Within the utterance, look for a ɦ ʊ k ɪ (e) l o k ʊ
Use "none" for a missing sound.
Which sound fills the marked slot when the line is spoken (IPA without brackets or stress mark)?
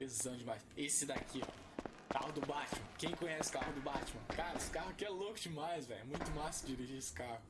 ɛ